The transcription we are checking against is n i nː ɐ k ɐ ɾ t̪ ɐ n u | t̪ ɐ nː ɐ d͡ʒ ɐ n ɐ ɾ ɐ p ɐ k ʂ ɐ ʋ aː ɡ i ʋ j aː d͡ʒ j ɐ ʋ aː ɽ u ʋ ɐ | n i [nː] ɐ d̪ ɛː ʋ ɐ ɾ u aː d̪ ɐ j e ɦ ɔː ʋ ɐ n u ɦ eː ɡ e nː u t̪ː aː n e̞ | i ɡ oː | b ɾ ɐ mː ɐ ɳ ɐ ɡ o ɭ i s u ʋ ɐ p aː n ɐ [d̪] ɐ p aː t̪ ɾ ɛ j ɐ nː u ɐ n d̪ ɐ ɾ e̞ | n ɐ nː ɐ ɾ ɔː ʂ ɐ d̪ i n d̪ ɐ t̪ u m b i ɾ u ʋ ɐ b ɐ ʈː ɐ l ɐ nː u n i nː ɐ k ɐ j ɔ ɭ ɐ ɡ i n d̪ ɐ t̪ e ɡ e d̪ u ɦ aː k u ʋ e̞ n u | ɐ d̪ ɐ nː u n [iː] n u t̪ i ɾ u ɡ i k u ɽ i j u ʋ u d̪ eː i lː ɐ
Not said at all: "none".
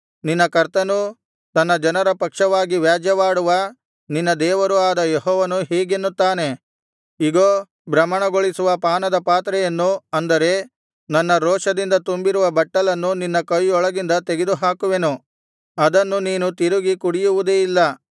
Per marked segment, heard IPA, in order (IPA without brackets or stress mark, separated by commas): nː, d̪, iː